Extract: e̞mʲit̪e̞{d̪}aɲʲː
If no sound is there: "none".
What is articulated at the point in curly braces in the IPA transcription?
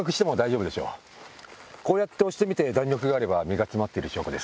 d̪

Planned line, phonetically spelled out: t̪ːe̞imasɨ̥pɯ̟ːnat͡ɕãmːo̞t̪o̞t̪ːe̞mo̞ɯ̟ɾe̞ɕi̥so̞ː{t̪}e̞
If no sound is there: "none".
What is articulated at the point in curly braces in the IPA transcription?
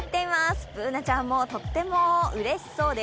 d̪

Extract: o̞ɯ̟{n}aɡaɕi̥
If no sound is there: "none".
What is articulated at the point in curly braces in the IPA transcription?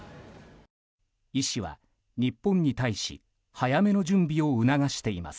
n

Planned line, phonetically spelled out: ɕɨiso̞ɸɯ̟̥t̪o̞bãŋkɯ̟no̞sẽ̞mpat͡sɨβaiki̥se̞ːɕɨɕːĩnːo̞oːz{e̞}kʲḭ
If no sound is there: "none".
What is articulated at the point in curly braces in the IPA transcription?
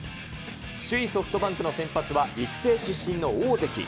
e̞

